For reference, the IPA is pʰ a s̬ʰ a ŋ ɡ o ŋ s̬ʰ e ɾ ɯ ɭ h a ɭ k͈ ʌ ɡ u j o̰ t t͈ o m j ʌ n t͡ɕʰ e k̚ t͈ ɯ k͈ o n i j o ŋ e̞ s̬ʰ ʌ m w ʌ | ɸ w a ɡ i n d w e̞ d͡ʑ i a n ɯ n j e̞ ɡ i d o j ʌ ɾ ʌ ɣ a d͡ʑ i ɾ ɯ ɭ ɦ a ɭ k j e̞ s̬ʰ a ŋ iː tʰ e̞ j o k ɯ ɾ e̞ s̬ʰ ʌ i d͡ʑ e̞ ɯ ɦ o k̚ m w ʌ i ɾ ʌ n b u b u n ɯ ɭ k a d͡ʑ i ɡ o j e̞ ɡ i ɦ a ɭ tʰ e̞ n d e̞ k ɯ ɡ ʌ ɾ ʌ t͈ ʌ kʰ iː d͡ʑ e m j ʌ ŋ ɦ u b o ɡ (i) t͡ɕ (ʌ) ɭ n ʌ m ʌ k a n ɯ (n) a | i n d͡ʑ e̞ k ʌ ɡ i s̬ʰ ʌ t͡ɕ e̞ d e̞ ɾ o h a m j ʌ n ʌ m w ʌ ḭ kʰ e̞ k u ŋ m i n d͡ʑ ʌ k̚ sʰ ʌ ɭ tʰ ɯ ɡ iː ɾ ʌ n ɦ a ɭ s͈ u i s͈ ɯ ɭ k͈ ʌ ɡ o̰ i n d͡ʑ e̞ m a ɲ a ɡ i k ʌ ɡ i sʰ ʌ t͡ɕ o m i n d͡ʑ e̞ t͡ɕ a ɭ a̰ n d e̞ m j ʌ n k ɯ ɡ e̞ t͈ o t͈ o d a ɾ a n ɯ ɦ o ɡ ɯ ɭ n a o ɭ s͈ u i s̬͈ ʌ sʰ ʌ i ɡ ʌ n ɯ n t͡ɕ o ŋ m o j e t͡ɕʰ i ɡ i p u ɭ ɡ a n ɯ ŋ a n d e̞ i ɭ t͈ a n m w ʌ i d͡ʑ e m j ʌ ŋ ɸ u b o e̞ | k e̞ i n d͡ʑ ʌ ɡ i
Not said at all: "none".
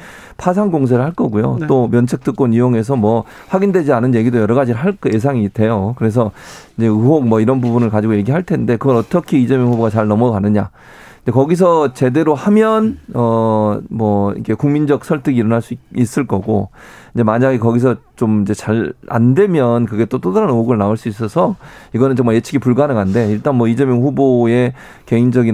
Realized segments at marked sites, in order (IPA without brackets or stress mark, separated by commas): a, a, ɲ